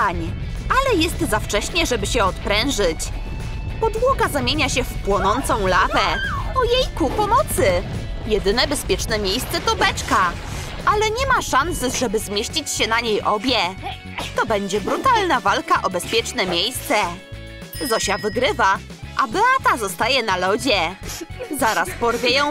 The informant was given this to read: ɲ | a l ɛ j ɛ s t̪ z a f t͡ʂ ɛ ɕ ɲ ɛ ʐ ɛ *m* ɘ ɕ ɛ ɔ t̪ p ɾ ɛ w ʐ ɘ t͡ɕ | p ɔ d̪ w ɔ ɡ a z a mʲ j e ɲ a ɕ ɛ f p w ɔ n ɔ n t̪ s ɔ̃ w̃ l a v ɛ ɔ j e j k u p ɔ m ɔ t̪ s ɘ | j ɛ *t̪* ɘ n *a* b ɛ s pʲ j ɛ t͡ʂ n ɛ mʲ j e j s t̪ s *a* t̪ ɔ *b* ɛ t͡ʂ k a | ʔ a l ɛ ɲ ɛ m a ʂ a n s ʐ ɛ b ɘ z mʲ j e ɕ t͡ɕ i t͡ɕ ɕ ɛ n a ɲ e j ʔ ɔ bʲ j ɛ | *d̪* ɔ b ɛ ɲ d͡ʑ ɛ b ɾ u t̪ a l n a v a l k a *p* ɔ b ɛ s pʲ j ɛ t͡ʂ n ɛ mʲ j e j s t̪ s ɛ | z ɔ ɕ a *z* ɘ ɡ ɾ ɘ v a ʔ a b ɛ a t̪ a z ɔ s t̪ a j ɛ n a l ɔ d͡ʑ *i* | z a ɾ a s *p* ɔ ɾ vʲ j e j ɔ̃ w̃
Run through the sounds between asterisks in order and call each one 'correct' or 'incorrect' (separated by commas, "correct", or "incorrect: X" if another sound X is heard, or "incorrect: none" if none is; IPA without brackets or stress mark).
incorrect: b, incorrect: d̪, incorrect: ɛ, incorrect: ɛ, correct, incorrect: t̪, incorrect: ʔ, incorrect: v, incorrect: ɛ, correct